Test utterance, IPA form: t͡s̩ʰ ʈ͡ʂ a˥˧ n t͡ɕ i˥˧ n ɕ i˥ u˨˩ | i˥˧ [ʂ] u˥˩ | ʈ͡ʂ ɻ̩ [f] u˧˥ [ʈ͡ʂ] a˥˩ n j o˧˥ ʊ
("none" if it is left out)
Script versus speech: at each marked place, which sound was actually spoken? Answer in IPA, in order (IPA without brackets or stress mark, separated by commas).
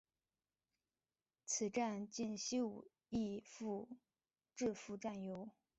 f, f, ʈ͡ʂ